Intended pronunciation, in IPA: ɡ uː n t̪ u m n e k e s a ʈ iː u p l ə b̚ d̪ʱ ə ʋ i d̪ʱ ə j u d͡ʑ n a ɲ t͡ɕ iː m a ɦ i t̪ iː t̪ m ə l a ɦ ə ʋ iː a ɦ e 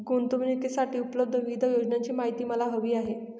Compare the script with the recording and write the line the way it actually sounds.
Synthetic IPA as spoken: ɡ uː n t̪ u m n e k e s a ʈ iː u p l ə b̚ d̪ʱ ə ʋ i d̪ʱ ə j o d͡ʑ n a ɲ t͡ɕ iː m a ɦ i t̪ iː m ə l a ɦ ə ʋ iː a ɦ e